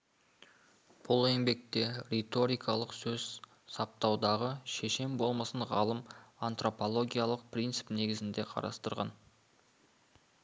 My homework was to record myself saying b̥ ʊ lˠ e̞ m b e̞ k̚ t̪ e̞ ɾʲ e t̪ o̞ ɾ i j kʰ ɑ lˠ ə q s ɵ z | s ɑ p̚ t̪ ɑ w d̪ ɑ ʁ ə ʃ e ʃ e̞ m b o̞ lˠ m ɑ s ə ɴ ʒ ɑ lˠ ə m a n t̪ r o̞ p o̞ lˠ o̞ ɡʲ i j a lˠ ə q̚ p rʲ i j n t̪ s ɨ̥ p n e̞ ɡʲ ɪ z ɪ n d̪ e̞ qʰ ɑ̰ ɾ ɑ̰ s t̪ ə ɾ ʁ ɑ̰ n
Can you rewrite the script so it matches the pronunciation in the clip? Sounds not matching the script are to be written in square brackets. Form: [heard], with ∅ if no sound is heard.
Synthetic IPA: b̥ ʊ lˠ e̞ [ŋ] b e̞ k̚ t̪ e̞ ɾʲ e t̪ o̞ ɾ i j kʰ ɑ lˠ ə q s ɵ z | s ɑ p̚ t̪ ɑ w d̪ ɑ ʁ ə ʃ e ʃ e̞ m b o̞ lˠ m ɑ s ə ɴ [ʁ] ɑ lˠ ə m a n t̪ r o̞ p o̞ lˠ o̞ ɡʲ i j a lˠ ə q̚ p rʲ i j n t̪ s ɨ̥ p n e̞ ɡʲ ɪ z ɪ n d̪ e̞ qʰ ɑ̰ ɾ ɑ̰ s t̪ ə ɾ ʁ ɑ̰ n